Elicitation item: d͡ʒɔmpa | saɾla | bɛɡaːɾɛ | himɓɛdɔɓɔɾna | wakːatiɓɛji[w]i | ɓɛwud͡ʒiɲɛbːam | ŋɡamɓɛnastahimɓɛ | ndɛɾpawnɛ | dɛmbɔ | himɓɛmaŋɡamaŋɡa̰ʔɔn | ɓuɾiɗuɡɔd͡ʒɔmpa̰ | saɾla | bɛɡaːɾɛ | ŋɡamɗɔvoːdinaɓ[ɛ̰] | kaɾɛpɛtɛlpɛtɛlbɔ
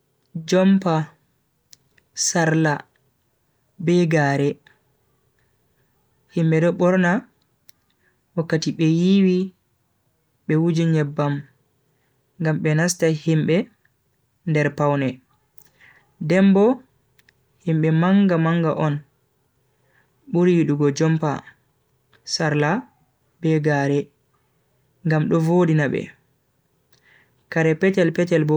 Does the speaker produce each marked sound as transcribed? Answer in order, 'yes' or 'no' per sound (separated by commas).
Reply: yes, yes